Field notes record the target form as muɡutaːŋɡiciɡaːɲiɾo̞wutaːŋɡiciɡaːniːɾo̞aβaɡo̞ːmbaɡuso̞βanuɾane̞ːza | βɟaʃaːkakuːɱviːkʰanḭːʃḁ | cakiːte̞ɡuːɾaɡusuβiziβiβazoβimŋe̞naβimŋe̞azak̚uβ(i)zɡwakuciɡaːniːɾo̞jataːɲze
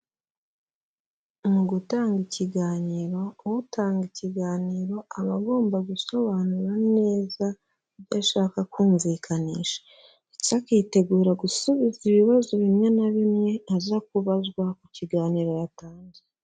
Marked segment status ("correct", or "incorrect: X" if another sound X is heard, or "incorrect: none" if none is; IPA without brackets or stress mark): incorrect: a